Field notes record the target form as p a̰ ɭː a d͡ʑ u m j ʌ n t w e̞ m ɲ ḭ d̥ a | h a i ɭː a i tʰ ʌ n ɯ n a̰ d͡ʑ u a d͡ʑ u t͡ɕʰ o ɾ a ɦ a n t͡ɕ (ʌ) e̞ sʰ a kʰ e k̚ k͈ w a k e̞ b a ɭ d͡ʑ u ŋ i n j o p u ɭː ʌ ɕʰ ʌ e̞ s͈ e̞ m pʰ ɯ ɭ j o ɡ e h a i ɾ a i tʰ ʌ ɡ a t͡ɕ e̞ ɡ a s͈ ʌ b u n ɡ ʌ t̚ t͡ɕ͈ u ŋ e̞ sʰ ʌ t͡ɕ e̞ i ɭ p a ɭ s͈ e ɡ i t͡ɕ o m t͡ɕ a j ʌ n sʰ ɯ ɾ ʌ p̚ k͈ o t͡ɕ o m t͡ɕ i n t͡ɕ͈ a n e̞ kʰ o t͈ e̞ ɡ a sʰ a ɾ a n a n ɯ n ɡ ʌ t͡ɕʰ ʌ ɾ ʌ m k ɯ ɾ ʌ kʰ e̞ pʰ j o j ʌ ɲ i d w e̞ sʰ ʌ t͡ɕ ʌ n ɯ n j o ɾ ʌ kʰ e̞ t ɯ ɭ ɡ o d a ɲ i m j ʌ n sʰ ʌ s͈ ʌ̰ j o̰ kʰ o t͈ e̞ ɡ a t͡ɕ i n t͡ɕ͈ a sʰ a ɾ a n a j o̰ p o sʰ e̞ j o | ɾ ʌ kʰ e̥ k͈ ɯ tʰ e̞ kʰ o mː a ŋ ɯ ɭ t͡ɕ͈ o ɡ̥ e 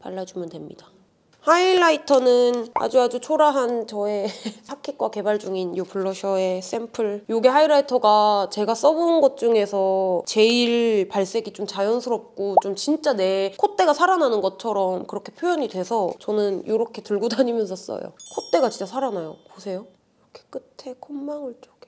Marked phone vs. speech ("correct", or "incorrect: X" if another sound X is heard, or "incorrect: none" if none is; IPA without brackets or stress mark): correct